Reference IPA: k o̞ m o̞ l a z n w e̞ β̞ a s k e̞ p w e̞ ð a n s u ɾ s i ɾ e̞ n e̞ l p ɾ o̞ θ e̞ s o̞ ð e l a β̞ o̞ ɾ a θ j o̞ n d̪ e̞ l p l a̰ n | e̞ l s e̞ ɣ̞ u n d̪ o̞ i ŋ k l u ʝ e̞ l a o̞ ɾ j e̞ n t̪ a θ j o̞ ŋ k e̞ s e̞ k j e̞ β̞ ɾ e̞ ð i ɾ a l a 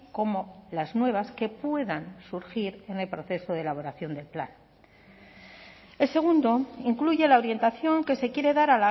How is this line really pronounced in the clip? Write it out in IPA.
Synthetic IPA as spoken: k o̞ m o̞ l a z n w e̞ β̞ a s k e̞ p w e̞ ð a n s u ɾ x i ɾ e̞ n e̞ l p ɾ o̞ θ e̞ s o̞ ð e l a β̞ o̞ ɾ a θ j o̞ n d̪ e̞ l p l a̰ n | e̞ l s e̞ ɣ̞ u n d̪ o̞ i ŋ k l u ʝ e̞ l a o̞ ɾ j e̞ n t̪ a θ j o̞ ŋ k e̞ s e̞ k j e̞ ɾ e̞ ð a ɾ a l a

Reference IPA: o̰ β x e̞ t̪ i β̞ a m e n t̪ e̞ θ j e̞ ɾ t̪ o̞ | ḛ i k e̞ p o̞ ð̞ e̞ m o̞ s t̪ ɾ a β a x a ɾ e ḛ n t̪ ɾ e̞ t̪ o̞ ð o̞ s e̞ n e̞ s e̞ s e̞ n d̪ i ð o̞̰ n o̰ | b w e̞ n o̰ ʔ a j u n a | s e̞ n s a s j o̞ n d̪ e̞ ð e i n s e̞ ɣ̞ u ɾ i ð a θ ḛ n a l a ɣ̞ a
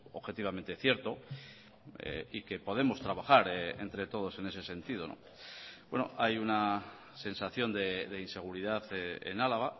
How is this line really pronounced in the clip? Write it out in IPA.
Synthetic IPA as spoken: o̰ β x e̞ t̪ i β̞ a m e n t̪ e̞ θ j e̞ ɾ t̪ o̞ | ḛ i k e̞ p o̞ ð̞ e̞ m o̞ s t̪ ɾ a β a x a ɾ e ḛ n t̪ ɾ e̞ t̪ o̞ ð o̞ s e̞ n e̞ s e̞ s e̞ n t̪ i ð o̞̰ n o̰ | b w e̞ n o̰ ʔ a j u n a | s e̞ n s a θ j o̞ n d̪ e̞ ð e i n s e̞ ɣ̞ u ɾ i ð a θ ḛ n a l a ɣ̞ a

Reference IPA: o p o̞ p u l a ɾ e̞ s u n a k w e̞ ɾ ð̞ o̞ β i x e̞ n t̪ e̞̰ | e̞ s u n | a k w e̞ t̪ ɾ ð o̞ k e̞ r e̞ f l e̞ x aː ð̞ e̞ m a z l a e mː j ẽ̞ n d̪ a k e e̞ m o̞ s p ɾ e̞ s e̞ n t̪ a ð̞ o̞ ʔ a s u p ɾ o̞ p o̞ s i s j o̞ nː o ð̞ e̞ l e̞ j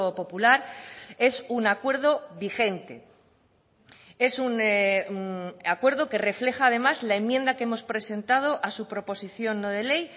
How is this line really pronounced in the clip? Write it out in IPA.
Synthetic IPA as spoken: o p o̞ p u l a ɾ e̞ s u n a k w e̞ ɾ ð̞ o̞ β i x e̞ n t̪ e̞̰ | e̞ s u n | a k w e̞ ɾ ð o̞ k e̞ r e̞ f l e̞ x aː ð̞ e̞ m a z l a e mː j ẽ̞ n d̪ a k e e̞ m o̞ s p ɾ e̞ s e̞ n t̪ a ð̞ o̞ ʔ a s u p ɾ o̞ p o̞ s i θ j o̞ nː o ð̞ e̞ l e̞ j

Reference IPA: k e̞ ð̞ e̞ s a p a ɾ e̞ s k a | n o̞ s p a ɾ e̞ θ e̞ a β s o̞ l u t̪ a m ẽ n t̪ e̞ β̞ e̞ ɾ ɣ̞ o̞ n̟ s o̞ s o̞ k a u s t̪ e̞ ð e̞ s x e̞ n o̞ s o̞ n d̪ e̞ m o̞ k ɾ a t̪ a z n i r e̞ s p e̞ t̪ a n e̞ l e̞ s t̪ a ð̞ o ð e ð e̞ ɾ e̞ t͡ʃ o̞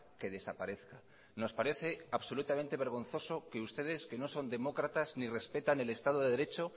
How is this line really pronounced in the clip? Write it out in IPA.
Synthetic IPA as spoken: k e̞ ð̞ e̞ s a p a ɾ e̞ θ k a | n o̞ s p a ɾ e̞ θ e̞ a β s o̞ l u t̪ a m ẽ n t̪ e̞ β̞ e̞ ɾ ɣ̞ o̞ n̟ θ o̞ s o̞ k e u s t̪ e̞ ð e̞ s k e̞ n o̞ s o̞ n d̪ e̞ m o̞ k ɾ a t̪ a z n i r e̞ s p e̞ t̪ a n e̞ l e̞ s t̪ a ð̞ o ð e ð e̞ ɾ e̞ t͡ʃ o̞

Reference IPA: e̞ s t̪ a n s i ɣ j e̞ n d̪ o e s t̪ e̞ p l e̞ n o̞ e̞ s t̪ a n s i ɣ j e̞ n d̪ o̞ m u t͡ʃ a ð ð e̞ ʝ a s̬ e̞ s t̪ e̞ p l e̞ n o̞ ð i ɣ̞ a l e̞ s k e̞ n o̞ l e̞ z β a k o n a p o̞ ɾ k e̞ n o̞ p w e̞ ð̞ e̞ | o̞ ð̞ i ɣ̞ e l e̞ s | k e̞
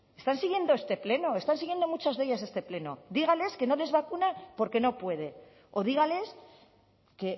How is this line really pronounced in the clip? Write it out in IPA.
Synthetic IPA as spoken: e̞ s t̪ a n s i ɣ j e̞ n d̪ o e s t̪ e̞ p l e̞ n o̞ e̞ s t̪ a n s i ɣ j e̞ n d̪ o̞ m u t͡ʃ a z ð e̞ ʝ a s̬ e̞ s t̪ e̞ p l e̞ n o̞ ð i ɣ̞ a l e̞ s k e̞ n o̞ l e̞ z β a k u n a p o̞ ɾ k e̞ n o̞ p w e̞ ð̞ e̞ | o̞ ð̞ i ɣ̞ a l e̞ s | k e̞

